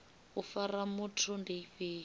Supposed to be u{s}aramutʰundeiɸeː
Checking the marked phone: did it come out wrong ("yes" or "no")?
yes